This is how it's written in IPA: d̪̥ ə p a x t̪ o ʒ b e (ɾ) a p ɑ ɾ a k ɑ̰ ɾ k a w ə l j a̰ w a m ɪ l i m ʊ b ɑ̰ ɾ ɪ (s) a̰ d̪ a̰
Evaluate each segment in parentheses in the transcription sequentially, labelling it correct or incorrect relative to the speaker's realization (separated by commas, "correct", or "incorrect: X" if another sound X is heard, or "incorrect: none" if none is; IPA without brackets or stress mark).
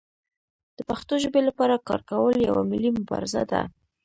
incorrect: l, incorrect: z